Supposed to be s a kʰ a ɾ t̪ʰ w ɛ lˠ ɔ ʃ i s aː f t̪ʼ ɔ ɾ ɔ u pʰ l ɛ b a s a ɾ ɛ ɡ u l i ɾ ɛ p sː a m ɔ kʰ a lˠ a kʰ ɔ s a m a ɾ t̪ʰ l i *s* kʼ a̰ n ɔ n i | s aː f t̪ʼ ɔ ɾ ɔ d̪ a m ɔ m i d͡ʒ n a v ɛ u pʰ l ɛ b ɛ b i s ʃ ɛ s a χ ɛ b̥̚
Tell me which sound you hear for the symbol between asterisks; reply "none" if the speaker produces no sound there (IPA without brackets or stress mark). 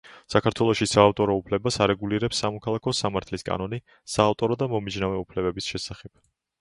s